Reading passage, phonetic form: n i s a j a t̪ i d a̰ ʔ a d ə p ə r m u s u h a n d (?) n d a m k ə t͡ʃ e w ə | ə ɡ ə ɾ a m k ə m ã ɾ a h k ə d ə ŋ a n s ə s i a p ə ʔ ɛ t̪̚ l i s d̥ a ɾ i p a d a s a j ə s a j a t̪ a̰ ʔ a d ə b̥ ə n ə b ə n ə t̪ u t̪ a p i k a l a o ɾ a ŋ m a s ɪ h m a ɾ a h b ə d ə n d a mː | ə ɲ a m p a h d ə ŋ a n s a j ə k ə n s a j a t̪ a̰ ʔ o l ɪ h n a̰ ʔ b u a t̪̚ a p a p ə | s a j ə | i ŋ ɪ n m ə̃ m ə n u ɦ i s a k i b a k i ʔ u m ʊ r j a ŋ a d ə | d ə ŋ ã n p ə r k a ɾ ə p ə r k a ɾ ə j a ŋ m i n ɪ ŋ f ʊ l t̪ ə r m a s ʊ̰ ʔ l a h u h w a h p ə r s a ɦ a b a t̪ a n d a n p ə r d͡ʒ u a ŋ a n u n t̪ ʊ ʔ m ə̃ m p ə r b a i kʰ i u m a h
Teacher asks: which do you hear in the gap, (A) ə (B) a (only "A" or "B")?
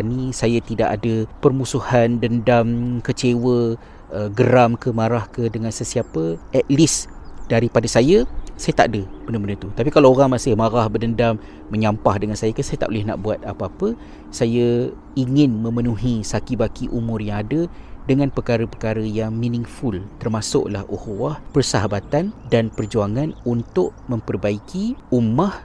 A